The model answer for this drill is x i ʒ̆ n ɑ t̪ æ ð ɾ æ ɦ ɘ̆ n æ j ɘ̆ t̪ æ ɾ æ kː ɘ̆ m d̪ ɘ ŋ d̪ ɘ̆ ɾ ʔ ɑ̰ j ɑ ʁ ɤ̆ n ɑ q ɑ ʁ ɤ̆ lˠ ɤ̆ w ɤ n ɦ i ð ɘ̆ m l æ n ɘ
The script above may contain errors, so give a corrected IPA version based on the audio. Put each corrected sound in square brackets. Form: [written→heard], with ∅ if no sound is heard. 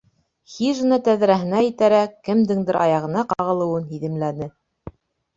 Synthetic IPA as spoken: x i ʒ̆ n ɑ t̪ æ ð ɾ æ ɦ ɘ̆ n æ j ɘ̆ t̪ æ ɾ æ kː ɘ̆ m d̪ ɘ ŋ d̪ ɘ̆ ɾ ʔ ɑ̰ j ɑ ʁ ɤ̆ n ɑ q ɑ ʁ ɤ̆ lˠ ɤ̆ w ɤ n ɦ i ð ɘ̆ m l æ n ɘ